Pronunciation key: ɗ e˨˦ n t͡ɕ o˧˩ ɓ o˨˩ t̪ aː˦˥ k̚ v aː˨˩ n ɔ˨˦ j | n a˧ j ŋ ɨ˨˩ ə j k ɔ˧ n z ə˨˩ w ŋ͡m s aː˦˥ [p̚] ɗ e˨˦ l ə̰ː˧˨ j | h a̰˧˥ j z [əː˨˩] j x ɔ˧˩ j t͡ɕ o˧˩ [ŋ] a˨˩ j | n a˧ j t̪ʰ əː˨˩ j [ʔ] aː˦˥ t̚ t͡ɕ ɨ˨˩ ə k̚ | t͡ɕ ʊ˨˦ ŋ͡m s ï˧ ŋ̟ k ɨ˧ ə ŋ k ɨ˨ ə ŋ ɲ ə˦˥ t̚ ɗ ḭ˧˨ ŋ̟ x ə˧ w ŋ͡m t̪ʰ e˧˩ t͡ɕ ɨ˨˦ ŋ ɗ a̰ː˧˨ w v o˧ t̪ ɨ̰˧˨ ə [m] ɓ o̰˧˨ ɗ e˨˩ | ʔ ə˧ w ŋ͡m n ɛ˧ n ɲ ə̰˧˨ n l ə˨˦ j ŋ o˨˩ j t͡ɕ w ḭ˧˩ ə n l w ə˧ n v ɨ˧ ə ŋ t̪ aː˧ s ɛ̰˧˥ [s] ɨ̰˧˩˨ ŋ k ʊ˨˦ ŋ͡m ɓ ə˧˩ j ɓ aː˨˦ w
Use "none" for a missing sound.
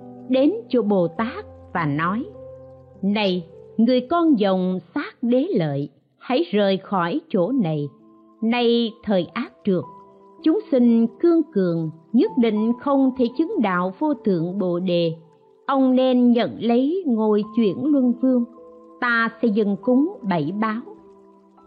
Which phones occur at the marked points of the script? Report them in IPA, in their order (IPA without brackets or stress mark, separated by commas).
k̚, əː˨˩, n, ʔ, ŋ, z